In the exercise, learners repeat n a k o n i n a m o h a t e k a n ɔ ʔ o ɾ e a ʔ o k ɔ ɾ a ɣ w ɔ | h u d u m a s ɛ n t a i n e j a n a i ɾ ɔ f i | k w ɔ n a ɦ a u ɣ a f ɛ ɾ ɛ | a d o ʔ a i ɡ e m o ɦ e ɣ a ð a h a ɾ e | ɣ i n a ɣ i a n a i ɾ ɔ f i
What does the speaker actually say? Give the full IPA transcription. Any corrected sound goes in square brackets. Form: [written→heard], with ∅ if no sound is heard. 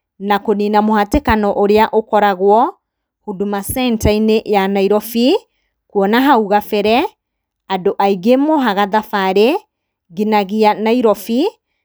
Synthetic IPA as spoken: n a k o n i n a m o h a t e k a n ɔ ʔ o ɾ e a ʔ o k ɔ ɾ a ɣ w ɔ | h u d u m a s ɛ n t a i n e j a n a i ɾ ɔ f i | k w ɔ n a ɦ a u ɣ a f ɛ ɾ ɛ | a d o ʔ a i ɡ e m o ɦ [e→a] ɣ a ð a [h→f] a ɾ e | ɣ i n a ɣ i a n a i ɾ ɔ f i